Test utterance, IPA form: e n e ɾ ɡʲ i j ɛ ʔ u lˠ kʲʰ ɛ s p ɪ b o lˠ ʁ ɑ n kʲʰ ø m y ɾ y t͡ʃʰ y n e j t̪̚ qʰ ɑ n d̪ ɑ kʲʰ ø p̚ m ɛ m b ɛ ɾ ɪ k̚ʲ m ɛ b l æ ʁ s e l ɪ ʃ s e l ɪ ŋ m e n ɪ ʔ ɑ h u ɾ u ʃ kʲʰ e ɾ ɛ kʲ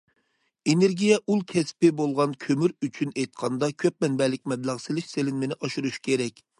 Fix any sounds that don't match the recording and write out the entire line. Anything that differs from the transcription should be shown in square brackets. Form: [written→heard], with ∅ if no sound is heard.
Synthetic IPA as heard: e n e ɾ ɡʲ i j ɛ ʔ u lˠ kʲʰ ɛ s p ɪ b o lˠ ʁ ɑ n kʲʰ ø m y ɾ y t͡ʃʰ y n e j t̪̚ qʰ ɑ n d̪ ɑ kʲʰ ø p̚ m ɛ [m→n] b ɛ [ɾ→l] ɪ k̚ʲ m ɛ b l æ ʁ s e l ɪ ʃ s e l ɪ [ŋ→n] m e n ɪ ʔ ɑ [h→ʃ] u ɾ u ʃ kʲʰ e ɾ ɛ kʲ